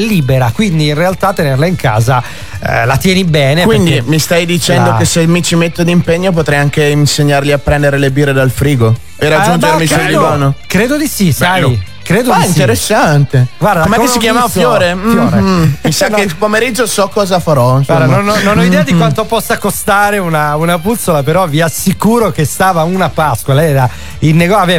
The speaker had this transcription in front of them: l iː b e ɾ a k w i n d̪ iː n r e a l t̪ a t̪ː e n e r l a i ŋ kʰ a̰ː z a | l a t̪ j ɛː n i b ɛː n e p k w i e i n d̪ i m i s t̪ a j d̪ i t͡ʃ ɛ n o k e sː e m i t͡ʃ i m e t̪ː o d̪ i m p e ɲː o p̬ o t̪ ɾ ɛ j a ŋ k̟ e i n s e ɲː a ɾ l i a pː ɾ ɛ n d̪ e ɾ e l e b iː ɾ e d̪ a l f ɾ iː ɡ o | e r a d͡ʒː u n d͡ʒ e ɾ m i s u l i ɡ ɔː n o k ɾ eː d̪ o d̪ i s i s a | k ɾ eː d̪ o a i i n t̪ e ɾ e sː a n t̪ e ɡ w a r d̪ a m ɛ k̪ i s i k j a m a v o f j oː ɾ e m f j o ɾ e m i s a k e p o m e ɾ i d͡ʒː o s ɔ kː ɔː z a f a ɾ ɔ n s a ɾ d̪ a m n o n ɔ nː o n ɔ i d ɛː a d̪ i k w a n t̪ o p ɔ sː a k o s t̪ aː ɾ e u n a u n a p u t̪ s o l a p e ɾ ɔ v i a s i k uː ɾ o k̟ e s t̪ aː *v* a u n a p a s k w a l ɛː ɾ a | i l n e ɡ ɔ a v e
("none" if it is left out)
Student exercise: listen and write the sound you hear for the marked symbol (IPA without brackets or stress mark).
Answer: v